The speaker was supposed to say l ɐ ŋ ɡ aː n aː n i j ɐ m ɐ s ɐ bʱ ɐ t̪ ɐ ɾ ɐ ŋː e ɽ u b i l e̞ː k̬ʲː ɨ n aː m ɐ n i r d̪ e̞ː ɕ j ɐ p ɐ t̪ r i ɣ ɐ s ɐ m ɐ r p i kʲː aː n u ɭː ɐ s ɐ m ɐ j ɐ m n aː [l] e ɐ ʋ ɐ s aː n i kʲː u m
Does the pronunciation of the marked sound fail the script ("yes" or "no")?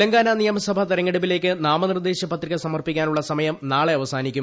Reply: yes